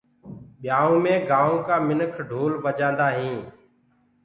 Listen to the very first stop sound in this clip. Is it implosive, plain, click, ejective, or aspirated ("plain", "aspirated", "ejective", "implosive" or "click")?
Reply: implosive